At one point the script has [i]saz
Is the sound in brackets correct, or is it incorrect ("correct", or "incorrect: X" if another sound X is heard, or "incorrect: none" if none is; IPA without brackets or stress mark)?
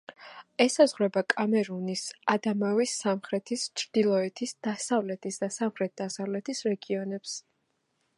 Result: incorrect: ɛ